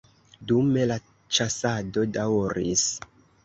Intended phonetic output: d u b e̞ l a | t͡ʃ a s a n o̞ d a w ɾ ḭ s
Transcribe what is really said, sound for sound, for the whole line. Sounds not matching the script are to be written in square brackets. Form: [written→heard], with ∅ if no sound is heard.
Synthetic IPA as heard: d u [b→m] e̞ l a | t͡ʃ a s a [n→d] o̞ d a w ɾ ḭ s